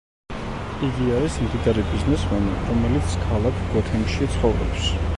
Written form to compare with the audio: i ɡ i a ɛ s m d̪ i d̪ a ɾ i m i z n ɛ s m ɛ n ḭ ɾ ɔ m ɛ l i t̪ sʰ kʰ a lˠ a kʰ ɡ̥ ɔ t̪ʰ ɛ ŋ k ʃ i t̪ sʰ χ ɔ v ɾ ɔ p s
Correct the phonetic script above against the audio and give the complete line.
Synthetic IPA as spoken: i ɡ i a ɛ s m d̪ i d̪ a ɾ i b i z n ɛ s m ɛ n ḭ ɾ ɔ m ɛ l i t̪ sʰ kʰ a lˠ a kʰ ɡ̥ ɔ t̪ʰ ɛ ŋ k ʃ i t̪ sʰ χ ɔ v ɾ ɔ p s